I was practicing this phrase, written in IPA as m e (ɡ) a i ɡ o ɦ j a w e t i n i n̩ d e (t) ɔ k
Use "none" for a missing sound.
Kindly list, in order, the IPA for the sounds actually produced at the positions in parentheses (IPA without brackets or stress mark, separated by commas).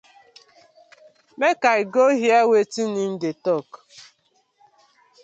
k, t